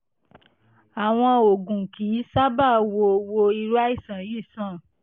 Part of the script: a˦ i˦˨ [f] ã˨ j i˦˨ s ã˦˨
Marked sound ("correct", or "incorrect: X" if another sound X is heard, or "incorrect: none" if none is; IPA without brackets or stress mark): incorrect: s